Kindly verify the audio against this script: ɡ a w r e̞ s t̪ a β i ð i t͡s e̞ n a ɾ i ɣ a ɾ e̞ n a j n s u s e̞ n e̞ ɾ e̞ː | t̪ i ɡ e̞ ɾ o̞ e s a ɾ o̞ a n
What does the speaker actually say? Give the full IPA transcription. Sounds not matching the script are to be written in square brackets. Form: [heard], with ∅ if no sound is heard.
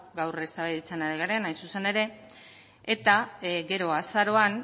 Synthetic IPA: ɡ a w r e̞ s t̪ a β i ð i t͡s e̞ n a ɾ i ɣ a ɾ e̞ n a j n s u s e̞ n e̞ ɾ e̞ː | t̪ [a] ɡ e̞ ɾ o̞ [a] s a ɾ o̞ a n